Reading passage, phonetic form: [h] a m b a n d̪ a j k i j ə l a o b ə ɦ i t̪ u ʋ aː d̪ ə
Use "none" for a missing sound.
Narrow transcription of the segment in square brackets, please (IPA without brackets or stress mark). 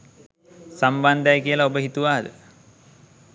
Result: s